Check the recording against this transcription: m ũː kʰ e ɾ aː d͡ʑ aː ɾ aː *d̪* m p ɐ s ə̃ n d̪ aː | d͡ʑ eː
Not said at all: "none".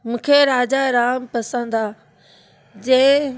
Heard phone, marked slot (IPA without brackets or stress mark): none